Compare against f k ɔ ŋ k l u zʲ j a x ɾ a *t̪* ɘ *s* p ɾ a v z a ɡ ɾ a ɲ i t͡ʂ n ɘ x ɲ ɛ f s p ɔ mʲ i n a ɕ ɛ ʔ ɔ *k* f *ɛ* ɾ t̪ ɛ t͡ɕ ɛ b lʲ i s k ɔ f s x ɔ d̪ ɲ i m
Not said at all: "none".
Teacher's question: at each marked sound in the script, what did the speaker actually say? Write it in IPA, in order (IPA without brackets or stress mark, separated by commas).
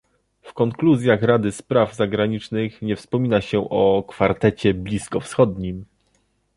d̪, s, k, a